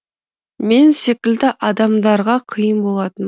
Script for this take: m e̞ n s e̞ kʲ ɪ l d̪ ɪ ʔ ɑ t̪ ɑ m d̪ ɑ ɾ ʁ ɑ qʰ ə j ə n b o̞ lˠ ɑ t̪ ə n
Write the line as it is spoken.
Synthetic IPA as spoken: m e̞ n s e̞ kʲ ɪ l d̪ ɪ ʔ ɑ d̪ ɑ m d̪ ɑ ɾ ʁ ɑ qʰ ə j ə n b o̞ lˠ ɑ t̪ ə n